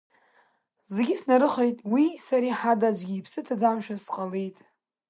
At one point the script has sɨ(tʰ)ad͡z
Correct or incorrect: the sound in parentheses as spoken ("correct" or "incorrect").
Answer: correct